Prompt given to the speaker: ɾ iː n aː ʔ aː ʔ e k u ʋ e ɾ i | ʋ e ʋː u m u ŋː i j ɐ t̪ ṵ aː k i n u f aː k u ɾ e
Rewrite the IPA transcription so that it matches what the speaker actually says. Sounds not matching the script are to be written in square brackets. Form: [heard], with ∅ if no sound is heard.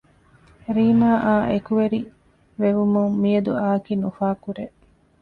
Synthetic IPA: ɾ iː [m] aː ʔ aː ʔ e k u ʋ e ɾ i | ʋ e [ʋ] u m u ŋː i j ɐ [d̪] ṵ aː k i n u f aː k u ɾ e